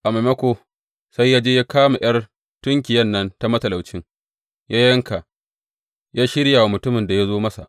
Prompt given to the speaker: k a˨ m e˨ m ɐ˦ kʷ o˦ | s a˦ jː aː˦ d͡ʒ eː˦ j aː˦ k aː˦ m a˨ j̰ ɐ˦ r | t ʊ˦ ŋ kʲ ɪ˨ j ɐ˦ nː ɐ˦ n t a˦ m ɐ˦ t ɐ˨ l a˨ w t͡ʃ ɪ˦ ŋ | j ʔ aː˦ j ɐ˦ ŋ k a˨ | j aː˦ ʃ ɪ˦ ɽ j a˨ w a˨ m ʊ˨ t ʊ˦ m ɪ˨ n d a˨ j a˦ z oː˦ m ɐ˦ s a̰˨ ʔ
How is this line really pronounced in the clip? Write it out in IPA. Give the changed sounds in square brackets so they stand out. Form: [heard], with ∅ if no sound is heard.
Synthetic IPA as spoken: [ʔ] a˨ m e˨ m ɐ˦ kʷ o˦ | s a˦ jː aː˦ d͡ʒ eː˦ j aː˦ k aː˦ m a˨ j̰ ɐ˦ r | t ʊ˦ ŋ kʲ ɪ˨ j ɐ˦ nː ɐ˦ n t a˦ m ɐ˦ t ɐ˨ l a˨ w t͡ʃ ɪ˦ ŋ | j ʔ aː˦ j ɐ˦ ŋ k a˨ | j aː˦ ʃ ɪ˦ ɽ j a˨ w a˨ m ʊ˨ t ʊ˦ m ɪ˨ n d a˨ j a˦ z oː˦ m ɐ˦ s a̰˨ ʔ